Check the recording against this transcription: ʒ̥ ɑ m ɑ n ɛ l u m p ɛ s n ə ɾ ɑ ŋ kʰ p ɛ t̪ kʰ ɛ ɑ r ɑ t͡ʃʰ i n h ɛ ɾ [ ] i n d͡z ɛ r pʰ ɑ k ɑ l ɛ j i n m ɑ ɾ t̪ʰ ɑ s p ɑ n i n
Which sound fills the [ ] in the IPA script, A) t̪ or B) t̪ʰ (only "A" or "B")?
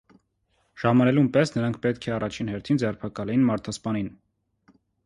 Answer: B